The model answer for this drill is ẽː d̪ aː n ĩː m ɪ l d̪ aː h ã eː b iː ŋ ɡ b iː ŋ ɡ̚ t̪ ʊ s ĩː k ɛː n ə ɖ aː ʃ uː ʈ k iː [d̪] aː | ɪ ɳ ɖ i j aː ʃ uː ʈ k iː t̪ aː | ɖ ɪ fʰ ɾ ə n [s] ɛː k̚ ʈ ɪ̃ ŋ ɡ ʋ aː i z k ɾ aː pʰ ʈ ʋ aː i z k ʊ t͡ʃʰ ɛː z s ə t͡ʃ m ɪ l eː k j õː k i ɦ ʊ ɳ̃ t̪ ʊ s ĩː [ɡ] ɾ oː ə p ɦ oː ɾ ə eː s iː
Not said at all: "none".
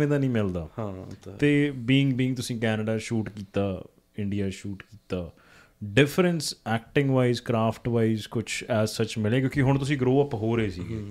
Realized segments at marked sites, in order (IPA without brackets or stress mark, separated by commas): t̪, s, ɡ